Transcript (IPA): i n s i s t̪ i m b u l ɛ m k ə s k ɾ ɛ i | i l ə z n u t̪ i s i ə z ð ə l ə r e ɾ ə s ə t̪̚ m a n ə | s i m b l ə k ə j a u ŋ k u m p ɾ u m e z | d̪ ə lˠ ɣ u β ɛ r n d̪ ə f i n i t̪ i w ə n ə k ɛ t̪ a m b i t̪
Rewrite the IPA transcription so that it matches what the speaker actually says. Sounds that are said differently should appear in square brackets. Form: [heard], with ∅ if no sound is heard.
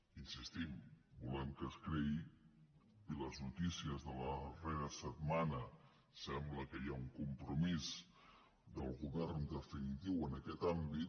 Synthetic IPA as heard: i n s i s t̪ i m b u l ɛ m k ə s k ɾ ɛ i | i l ə z n u t̪ i s i ə z ð ə l ə r e ɾ ə s ə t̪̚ m a n ə | s [ɛ] m b l ə k ə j a u ŋ k u m p ɾ u m [i] z | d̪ ə lˠ ɣ u β ɛ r n d̪ ə f i n i t̪ i w ə n ə k ɛ t̪ a m b i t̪